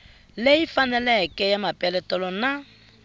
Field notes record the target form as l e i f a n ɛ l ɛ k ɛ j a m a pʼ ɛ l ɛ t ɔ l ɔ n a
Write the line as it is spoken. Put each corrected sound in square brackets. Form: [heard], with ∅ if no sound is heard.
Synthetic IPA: l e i f a n ɛ l ɛ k ɛ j a m a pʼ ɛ l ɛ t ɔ l ɔ n a